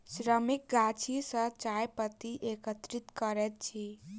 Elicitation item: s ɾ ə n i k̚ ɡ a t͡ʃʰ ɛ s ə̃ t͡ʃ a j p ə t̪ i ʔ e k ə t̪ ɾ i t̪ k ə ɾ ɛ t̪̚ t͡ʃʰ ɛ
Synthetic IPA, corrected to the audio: s ɾ ə m i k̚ ɡ a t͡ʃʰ i s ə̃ t͡ʃ a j p ə t̪ i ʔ e k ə t̪ ɾ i t̪ k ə ɾ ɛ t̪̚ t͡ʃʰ i